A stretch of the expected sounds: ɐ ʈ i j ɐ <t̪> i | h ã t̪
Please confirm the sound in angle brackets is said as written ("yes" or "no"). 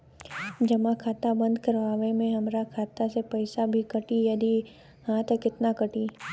no